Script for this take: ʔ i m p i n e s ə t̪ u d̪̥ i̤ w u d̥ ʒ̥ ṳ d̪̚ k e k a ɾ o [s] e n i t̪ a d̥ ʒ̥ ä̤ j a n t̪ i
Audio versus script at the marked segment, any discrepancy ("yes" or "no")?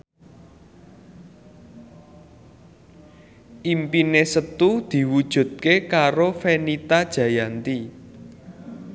yes